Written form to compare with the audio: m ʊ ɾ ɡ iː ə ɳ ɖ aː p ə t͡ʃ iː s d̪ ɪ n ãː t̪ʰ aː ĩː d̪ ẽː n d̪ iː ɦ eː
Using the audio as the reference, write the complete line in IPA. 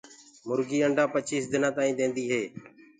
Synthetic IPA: m ʊ ɾ ɡ iː ə ɳ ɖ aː p ə t͡ʃ iː s d̪ ɪ n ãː t̪ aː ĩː d̪ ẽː n d̪ iː ɦ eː

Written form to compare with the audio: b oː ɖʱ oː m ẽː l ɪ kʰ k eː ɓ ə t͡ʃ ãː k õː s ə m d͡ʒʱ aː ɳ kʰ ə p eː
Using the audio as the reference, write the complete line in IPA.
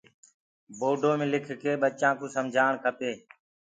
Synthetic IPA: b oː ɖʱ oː m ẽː l ɪ kʰ k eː ɓ ə t͡ʃ ãː k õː s ə m d͡ʒʱ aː ɳ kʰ ə p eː

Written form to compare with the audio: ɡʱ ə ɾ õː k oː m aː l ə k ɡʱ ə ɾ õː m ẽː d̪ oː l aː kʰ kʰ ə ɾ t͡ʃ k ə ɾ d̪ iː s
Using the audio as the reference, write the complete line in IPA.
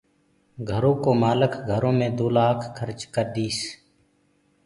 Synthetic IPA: ɡʱ ə ɾ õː k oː m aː l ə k ɡʱ ə ɾ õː m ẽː d̪ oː l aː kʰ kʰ ə ɾ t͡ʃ k ə ɾ d̪ iː s

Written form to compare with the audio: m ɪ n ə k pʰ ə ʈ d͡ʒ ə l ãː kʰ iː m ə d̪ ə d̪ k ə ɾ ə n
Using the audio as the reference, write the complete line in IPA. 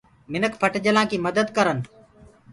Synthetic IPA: m ɪ n ə k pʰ ə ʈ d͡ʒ ə l ãː k iː m ə d̪ ə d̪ k ə ɾ ə n

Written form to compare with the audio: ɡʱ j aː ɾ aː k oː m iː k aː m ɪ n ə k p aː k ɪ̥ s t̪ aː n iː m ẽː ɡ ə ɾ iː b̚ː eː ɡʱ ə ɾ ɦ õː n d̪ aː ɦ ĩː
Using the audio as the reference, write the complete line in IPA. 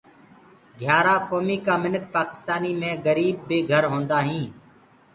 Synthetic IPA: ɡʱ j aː ɾ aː k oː m iː k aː m ɪ n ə k p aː k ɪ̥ s t̪ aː n iː m ẽː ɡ ə ɾ iː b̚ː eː ɡʱ ə ɾ ɦ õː n d̪ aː ɦ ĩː

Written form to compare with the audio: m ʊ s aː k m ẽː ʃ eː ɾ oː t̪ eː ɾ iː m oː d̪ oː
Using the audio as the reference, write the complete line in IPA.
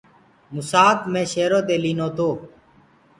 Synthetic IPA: m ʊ s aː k m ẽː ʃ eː ɾ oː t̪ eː l iː n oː t̪ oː

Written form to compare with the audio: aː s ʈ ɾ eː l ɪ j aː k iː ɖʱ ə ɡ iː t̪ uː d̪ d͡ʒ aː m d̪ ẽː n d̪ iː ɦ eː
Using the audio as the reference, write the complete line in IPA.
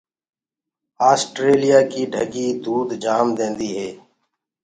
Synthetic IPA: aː s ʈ ɾ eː l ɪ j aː k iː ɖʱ ə ɡ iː d̪ uː d̪ d͡ʒ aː m d̪ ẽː n d̪ iː ɦ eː

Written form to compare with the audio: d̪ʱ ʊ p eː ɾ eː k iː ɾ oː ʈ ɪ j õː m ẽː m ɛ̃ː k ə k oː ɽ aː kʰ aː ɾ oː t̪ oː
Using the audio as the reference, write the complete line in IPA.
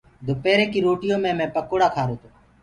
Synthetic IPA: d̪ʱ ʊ p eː ɾ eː k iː ɾ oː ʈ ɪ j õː m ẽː m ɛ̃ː p ə k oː ɽ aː kʰ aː ɾ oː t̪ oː

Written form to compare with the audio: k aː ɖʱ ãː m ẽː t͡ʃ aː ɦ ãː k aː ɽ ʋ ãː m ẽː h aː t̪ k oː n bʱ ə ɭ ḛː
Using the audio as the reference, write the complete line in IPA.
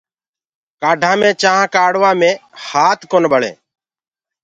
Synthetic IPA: k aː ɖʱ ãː m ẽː t͡ʃ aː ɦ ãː k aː ɽ ʋ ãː m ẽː h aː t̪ k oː n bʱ ə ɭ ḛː

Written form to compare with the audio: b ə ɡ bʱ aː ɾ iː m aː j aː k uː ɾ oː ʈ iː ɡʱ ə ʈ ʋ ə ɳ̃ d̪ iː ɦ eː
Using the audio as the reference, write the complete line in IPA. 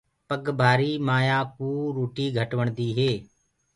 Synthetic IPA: p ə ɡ bʱ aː ɾ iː m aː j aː k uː ɾ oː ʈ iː ɡʱ ə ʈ ʋ ə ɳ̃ d̪ iː ɦ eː

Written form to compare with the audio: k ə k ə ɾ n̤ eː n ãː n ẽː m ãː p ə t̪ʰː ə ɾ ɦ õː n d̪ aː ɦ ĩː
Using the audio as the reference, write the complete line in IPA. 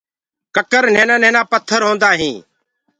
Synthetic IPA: k ə k ə ɾ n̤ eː n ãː n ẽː n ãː p ə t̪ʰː ə ɾ ɦ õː n d̪ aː ɦ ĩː

